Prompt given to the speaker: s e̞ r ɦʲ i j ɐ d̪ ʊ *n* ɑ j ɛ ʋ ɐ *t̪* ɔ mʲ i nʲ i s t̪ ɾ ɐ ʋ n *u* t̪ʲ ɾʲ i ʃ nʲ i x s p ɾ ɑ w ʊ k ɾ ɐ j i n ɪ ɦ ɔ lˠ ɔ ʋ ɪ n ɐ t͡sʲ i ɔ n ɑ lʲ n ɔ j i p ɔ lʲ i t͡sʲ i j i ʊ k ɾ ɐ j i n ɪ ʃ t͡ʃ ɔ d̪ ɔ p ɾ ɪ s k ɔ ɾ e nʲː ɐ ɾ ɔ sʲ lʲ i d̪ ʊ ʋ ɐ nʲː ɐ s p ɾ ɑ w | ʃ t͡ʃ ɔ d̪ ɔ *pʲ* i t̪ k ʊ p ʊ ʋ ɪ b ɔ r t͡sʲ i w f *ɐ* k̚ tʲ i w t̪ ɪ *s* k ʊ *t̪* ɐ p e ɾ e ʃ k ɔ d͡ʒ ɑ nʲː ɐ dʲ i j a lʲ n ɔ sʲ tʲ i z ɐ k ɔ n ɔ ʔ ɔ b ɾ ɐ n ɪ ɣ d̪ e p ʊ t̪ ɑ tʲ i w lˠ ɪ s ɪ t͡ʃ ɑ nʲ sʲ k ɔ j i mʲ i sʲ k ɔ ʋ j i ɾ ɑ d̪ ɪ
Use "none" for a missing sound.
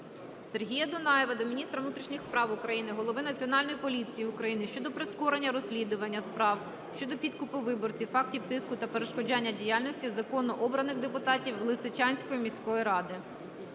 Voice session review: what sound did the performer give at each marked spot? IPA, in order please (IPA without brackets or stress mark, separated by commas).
n, d̪, u, pʲ, ɑ, s, t̪